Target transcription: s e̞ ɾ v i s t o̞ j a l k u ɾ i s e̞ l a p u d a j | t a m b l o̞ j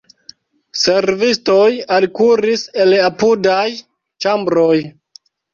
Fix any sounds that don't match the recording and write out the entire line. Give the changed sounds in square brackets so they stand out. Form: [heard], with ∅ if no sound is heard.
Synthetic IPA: s e̞ ɾ v i s t o̞ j a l k u ɾ i s e̞ l a p u d a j | [t͡ʃ] a m b [ɾ] o̞ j